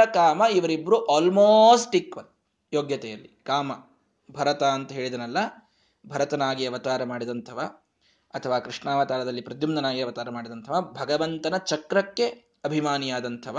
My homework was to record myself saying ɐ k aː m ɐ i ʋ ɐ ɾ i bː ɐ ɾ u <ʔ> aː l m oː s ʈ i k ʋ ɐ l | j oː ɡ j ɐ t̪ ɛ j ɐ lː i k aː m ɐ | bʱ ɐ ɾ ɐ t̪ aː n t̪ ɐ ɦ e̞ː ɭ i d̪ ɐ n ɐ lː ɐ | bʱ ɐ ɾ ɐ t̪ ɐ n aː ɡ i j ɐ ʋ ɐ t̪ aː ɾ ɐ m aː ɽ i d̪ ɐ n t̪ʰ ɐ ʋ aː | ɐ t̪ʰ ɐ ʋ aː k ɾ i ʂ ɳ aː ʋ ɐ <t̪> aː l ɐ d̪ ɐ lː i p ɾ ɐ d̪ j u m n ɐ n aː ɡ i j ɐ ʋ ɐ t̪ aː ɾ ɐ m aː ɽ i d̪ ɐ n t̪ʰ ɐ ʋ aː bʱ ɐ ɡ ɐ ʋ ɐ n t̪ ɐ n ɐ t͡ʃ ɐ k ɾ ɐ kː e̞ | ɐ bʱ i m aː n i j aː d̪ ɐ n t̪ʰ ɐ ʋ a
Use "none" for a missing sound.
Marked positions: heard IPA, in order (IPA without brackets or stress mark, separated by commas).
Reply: ʔ, t̪